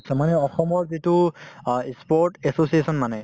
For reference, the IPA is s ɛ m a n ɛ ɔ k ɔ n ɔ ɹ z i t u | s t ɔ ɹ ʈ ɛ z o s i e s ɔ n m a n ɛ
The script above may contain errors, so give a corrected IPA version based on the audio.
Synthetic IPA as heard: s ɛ m a n ɛ ɔ x ɔ m ɔ ɹ z i t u | s p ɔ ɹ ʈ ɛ s o s i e s ɔ n m a n ɛ